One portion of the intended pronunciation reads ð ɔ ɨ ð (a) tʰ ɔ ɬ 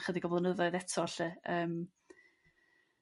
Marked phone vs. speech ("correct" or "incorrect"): incorrect